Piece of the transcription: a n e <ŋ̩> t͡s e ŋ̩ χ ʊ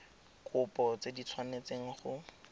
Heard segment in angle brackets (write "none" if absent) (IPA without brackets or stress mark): none